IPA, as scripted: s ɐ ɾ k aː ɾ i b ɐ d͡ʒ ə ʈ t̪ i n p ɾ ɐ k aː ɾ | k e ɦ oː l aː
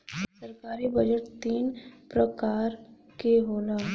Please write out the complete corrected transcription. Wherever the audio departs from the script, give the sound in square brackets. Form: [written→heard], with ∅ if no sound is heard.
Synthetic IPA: s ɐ ɾ k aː ɾ i b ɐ d͡ʒ ə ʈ t̪ [i→iː] n p ɾ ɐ k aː ɾ | k e ɦ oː l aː